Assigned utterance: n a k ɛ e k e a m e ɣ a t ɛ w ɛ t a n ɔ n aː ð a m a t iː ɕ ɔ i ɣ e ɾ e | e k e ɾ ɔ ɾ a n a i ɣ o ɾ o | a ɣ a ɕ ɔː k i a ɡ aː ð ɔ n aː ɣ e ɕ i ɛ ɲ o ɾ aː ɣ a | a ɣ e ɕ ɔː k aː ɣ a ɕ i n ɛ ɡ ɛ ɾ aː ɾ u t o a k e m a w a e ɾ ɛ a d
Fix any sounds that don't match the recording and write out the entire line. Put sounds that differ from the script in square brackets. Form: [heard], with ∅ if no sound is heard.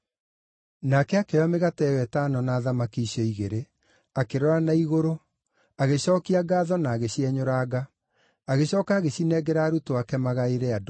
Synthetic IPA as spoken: n a k ɛ [a] k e a m e ɣ a t ɛ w ɛ t a n ɔ n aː ð a m a [k] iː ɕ ɔ i ɣ e ɾ e | [a] k e ɾ ɔ ɾ a n a i ɣ o ɾ o | a ɣ [e] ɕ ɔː k i a ɡ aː ð ɔ n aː ɣ e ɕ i ɛ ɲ o ɾ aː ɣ a | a ɣ e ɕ ɔː k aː ɣ [e] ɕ i n ɛ ɡ ɛ ɾ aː ɾ u t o a k [ɛ] m a [ɣ] a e ɾ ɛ a d